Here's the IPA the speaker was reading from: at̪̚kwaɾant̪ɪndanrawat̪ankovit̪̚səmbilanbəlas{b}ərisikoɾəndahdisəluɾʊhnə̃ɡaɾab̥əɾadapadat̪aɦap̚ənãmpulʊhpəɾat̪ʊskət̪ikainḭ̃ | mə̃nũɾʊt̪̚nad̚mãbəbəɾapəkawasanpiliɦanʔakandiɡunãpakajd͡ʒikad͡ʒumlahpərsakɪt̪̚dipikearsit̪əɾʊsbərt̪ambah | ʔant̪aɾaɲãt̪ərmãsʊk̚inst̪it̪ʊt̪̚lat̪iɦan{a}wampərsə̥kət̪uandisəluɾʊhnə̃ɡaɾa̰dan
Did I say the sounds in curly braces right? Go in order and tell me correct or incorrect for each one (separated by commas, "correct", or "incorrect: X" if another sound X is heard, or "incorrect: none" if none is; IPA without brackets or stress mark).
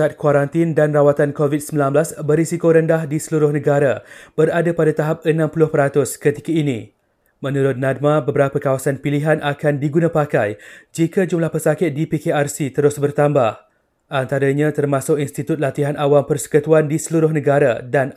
correct, correct